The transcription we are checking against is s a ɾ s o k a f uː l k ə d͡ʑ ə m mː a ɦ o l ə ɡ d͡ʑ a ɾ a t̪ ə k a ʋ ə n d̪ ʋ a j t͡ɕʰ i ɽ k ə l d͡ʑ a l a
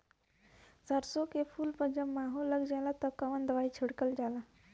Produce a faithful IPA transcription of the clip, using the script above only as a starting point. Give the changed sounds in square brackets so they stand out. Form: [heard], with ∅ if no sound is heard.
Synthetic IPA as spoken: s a ɾ s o k [e] f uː l [p] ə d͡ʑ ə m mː a ɦ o l ə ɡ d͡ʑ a [l] a t̪ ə k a ʋ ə n d̪ ʋ a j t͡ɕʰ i ɽ k ə l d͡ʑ a l a

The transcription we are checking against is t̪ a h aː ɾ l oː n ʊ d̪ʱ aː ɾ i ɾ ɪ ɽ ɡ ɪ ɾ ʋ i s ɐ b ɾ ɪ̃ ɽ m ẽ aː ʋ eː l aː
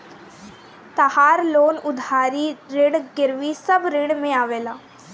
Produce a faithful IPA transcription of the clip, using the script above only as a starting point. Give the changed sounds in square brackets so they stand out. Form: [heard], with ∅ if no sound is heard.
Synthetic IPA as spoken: t̪ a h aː ɾ l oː n ʊ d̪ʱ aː ɾ i ɾ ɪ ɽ ɡ ɪ ɾ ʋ i s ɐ b ɾ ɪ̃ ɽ m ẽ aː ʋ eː l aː

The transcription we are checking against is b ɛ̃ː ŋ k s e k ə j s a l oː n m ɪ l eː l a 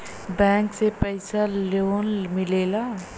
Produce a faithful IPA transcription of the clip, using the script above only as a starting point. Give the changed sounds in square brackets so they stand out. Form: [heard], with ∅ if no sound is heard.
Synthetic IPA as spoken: b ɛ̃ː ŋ k s e [p] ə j s a l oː n m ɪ l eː l a

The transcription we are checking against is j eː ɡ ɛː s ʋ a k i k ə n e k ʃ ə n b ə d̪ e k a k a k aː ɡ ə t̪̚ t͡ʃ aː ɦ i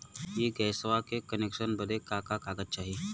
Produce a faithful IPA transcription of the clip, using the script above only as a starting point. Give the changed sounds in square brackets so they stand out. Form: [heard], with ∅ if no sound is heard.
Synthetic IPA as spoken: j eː ɡ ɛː s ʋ a k [e] k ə n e k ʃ ə n b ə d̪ e k a k a k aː ɡ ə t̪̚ t͡ʃ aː ɦ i

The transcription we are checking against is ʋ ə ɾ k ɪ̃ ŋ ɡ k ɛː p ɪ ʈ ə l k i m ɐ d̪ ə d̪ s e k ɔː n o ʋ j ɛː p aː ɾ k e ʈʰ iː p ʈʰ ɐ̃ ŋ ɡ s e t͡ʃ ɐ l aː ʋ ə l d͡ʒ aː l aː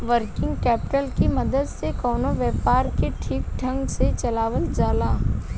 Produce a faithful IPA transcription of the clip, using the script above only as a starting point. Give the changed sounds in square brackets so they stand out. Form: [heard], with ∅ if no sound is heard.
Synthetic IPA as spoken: ʋ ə ɾ k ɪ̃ ŋ ɡ k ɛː p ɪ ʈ ə l k i m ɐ d̪ ə d̪ s e k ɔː n o ʋ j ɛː p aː ɾ k e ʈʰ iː [k] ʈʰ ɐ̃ ŋ ɡ s e t͡ʃ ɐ l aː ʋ ə l d͡ʒ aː l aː

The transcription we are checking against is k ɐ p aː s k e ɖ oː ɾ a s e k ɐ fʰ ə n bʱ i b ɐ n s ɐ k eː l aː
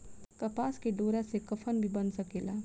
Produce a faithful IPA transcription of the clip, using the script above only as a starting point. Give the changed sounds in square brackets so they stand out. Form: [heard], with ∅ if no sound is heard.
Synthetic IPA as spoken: k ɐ p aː s k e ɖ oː ɾ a s e k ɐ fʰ ə n bʱ i b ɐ n s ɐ k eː l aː

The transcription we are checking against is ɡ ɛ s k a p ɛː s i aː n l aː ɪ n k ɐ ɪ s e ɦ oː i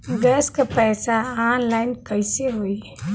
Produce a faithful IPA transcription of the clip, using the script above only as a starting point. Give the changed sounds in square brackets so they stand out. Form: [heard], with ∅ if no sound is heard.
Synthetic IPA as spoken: ɡ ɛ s k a p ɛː s [a] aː n l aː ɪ n k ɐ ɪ s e ɦ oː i

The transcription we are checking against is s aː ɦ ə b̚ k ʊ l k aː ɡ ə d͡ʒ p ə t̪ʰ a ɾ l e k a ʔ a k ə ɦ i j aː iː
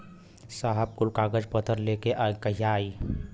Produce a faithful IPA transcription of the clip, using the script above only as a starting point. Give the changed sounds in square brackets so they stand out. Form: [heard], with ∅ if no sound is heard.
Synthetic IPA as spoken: s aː ɦ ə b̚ k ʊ l k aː ɡ ə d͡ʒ p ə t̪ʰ [ə] ɾ l e k [e] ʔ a k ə ɦ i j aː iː

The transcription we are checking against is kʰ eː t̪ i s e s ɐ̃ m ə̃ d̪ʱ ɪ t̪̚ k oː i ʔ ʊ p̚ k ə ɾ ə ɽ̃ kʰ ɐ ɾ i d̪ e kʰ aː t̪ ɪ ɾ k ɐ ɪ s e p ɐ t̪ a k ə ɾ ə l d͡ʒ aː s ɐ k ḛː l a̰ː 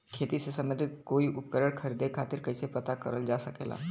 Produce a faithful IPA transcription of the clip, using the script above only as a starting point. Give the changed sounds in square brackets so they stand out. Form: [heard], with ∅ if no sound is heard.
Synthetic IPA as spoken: kʰ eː t̪ i s e s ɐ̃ m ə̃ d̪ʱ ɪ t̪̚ k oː i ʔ ʊ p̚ k ə ɾ ə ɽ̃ kʰ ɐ ɾ i d̪ e kʰ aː t̪ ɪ ɾ k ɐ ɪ s e p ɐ t̪ a k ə ɾ ə l d͡ʒ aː s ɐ k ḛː l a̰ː

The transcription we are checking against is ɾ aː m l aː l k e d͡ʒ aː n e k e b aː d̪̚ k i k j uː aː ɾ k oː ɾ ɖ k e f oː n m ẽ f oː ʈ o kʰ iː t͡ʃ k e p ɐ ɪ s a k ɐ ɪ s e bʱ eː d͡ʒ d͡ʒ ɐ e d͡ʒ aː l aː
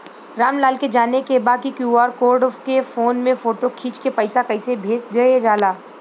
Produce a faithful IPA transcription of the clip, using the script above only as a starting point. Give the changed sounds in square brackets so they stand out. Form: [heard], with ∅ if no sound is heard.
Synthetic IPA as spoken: ɾ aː m l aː l k e d͡ʒ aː n e k e b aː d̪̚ k i k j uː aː ɾ k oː ɾ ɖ k e f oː n m ẽ f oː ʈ o kʰ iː t͡ʃ k e p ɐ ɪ s a k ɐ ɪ s e bʱ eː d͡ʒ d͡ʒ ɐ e d͡ʒ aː l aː

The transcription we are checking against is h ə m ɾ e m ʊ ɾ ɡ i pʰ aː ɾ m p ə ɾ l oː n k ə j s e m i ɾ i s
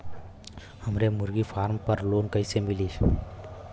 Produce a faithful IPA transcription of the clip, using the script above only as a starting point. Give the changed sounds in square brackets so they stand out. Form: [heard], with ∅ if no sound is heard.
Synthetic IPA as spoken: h ə m ɾ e m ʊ ɾ ɡ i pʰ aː ɾ m p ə ɾ l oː n k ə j s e m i [l] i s

